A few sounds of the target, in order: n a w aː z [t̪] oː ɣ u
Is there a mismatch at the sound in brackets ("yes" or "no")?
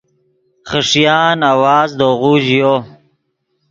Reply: yes